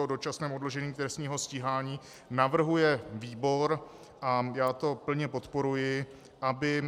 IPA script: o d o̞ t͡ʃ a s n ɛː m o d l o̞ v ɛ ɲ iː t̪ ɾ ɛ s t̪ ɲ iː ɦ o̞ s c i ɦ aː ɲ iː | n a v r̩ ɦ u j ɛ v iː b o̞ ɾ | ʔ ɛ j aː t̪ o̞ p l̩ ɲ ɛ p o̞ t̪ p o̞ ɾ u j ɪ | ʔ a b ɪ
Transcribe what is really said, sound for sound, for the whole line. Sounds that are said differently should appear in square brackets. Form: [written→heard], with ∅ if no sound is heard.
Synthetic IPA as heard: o d o̞ t͡ʃ a s n ɛː m o d l o̞ [v→ʒ] ɛ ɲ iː t̪ ɾ ɛ s t̪ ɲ iː ɦ o̞ s c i ɦ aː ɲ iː | n a v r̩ ɦ u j ɛ v iː b o̞ ɾ | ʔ [ɛ→a] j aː t̪ o̞ p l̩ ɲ ɛ p o̞ t̪ p o̞ ɾ u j ɪ | ʔ a b ɪ